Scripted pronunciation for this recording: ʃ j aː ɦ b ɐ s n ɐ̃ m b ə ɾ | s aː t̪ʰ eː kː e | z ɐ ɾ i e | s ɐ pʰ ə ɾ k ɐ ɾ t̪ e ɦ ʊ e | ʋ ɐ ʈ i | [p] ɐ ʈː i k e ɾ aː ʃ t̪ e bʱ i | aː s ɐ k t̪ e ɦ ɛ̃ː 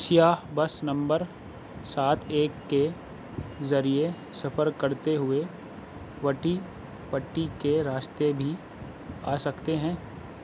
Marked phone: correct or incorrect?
correct